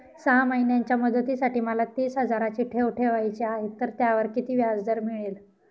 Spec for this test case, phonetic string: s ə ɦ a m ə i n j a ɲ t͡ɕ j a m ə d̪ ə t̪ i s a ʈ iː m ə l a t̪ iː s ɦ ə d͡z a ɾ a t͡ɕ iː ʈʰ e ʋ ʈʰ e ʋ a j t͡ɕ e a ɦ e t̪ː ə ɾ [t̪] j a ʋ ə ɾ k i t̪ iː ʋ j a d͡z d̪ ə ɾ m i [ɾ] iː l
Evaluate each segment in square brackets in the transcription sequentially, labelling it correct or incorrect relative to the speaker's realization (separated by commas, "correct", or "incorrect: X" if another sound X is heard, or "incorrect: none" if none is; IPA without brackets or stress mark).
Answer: correct, incorrect: ɭ